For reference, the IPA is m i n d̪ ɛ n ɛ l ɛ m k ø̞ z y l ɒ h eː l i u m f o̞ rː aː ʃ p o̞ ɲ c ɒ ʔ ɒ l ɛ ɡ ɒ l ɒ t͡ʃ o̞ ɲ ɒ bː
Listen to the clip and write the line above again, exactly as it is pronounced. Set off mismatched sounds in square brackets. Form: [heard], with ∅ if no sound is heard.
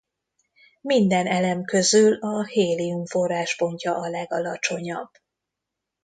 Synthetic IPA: m i n d̪ ɛ n ɛ l ɛ m k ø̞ z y l ɒ h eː l i u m f o̞ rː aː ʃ p o̞ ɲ c ɒ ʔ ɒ l ɛ ɡ ɒ l ɒ t͡ʃ o̞ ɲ ɒ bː